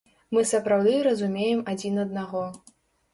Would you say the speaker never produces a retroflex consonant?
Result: yes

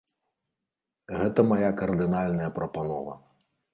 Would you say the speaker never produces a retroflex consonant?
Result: yes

